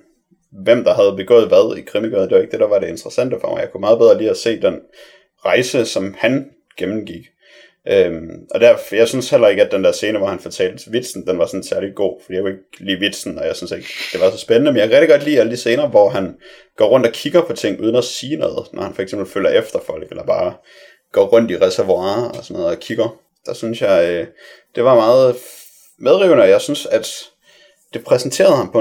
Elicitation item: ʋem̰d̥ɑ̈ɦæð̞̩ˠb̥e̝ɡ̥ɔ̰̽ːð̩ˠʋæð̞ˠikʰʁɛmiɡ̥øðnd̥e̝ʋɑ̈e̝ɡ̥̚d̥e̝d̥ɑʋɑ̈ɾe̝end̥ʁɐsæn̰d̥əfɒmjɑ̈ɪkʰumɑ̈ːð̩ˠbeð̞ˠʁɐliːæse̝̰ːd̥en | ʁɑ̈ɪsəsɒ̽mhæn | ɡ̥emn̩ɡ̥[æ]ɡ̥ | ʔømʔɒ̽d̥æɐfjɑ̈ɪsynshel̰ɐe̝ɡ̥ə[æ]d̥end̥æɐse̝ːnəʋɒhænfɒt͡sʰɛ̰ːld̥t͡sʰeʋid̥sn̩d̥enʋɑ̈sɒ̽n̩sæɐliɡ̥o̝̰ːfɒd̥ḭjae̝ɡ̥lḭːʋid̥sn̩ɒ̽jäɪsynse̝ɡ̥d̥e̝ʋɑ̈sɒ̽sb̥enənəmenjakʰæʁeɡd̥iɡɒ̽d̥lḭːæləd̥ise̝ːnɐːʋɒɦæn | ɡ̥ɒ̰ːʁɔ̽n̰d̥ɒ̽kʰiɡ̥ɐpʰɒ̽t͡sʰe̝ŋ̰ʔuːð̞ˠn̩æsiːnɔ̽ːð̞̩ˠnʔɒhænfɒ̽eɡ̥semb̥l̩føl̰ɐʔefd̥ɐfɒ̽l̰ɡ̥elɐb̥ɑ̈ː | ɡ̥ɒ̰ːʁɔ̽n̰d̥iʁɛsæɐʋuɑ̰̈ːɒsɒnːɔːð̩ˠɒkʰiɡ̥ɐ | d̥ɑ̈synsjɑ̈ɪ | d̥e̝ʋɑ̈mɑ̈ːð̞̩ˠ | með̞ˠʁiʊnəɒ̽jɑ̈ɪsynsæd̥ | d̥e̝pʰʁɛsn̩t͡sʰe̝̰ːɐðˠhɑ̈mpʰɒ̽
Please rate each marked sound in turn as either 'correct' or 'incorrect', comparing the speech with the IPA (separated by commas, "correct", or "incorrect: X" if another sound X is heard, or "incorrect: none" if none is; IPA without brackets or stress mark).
incorrect: i, correct